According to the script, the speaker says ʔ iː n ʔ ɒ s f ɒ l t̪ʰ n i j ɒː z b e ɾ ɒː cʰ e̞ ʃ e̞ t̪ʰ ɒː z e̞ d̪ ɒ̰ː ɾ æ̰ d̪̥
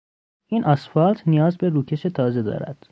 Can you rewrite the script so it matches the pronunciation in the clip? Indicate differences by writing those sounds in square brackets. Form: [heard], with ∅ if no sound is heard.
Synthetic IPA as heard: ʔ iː n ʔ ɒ s f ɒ l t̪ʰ n i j ɒː z b e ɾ [uː] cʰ e̞ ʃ e̞ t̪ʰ ɒː z e̞ d̪ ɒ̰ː ɾ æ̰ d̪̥